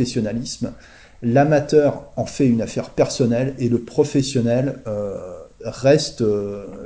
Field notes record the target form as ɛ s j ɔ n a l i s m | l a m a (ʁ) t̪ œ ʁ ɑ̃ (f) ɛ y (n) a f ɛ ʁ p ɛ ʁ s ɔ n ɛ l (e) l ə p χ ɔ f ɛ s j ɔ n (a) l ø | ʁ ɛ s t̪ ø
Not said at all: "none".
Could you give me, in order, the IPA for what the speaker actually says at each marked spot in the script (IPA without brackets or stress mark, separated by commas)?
none, f, n, e, ɛ